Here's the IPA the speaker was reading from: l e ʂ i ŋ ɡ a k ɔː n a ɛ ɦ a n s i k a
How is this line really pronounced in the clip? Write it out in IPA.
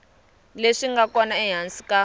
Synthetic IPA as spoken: l e ʂ i ŋ ɡ a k ɔ n a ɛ ɦ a n s i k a